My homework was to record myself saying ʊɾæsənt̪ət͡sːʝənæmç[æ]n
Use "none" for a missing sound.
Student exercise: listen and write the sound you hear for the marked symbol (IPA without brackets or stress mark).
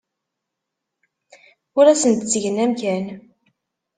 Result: æ